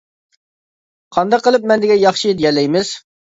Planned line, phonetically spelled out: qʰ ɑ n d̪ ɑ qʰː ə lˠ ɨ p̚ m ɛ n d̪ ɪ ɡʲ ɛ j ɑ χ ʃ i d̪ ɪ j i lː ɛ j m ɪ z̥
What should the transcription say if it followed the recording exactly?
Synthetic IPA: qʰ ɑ n d̪ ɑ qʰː ə lˠ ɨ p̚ m ɛ n d̪ ɪ ɡʲ ɛ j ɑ χ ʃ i d̪ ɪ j ɛ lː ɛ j m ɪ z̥